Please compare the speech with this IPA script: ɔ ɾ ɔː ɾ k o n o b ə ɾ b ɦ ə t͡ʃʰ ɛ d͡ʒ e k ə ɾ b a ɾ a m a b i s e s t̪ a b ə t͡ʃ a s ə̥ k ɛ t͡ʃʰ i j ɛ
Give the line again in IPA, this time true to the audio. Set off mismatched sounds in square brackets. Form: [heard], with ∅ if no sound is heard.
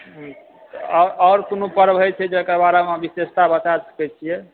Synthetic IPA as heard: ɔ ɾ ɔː ɾ k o n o [p] ə ɾ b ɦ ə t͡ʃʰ ɛ d͡ʒ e k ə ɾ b a ɾ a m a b i s e s t̪ a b ə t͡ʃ a s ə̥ k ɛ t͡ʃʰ i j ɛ